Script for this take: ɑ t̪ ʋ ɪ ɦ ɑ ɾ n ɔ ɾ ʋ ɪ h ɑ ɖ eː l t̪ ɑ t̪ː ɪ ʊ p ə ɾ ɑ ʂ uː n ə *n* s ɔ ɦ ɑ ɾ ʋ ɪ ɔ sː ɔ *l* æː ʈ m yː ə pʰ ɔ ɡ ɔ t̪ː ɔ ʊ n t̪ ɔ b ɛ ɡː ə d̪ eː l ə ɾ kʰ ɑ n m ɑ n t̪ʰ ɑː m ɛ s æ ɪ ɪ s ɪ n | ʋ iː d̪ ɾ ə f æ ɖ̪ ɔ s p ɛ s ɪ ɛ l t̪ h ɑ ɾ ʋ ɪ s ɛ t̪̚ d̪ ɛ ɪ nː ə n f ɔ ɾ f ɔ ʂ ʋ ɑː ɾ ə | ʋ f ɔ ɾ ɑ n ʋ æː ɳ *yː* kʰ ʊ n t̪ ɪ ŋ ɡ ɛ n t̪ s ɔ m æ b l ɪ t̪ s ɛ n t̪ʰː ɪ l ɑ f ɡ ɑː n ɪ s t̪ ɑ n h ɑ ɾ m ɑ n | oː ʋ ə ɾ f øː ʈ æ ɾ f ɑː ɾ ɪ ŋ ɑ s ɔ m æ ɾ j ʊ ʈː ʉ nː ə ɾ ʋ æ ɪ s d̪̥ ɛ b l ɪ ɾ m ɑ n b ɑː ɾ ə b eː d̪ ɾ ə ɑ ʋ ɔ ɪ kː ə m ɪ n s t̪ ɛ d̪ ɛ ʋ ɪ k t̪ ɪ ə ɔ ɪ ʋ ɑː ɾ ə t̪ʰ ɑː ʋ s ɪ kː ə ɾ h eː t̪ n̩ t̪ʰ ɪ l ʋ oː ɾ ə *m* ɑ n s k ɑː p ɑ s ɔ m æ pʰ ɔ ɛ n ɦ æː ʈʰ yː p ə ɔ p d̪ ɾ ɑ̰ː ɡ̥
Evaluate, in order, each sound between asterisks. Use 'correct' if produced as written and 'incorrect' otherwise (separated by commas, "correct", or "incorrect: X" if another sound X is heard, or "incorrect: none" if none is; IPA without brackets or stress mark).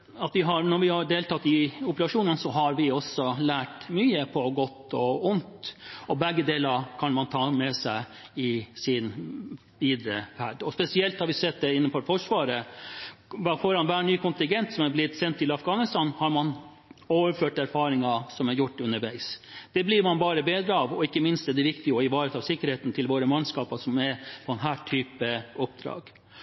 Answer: correct, correct, correct, correct